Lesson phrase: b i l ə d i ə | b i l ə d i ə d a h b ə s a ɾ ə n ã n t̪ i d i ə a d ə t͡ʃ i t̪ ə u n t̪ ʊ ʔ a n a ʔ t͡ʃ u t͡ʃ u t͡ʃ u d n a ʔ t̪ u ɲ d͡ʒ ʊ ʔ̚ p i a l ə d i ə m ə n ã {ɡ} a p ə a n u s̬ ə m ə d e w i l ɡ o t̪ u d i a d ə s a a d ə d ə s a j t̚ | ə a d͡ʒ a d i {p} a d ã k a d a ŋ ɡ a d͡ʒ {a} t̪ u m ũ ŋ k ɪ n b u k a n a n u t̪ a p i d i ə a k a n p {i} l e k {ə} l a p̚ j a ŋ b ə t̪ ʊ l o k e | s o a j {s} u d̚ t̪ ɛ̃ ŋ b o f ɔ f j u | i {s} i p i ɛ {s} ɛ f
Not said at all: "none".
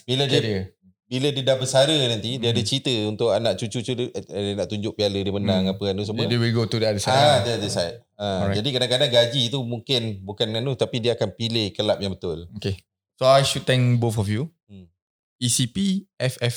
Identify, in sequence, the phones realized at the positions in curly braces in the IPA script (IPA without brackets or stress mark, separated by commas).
ŋ, k, i, i, ə, ʃ, s, f